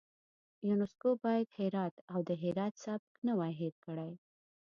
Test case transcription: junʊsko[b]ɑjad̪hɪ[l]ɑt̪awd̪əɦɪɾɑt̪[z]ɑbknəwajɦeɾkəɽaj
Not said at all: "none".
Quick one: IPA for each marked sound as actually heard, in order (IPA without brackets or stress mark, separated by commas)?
b, ɾ, s